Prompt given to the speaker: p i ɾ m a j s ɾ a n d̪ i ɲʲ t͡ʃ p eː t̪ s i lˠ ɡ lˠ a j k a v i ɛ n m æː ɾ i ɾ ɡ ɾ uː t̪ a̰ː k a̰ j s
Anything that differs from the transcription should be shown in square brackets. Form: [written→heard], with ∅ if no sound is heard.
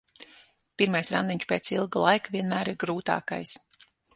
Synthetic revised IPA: p i ɾ m a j s ɾ a n d̪ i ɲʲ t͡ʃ p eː t̪ s i lˠ ɡ lˠ a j k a v i ɛ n m æː ɾ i ɾ ɡ ɾ uː t̪ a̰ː k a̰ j s